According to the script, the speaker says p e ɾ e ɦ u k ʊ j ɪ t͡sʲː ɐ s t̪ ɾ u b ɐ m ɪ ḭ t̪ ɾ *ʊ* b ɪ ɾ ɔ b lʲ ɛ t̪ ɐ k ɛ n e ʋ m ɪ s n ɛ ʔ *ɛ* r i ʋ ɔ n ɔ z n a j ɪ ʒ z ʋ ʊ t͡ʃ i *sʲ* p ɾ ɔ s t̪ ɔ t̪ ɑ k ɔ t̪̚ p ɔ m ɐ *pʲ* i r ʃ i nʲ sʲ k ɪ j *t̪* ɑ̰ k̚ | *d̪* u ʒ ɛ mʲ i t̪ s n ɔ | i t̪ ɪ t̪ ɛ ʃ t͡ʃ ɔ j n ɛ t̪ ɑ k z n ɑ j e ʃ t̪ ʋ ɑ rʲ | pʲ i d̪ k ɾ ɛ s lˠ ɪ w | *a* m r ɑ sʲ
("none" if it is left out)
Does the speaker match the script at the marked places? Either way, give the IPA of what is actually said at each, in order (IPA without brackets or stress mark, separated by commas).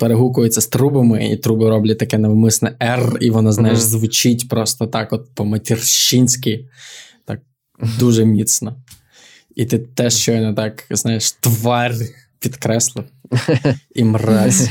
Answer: u, ɛ, tʲ, tʲ, t̪, d̪, i